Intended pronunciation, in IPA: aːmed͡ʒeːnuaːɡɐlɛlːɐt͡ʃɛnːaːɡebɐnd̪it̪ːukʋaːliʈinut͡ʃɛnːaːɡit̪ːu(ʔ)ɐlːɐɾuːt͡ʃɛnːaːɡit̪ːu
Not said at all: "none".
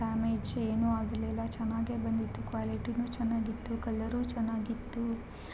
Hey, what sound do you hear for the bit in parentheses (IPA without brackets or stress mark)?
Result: k